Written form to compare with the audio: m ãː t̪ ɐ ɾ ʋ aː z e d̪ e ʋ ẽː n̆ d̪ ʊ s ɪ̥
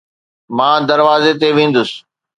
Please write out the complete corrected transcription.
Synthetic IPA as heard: m ãː d̪ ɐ ɾ ʋ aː z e t̪ e ʋ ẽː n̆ d̪ ʊ s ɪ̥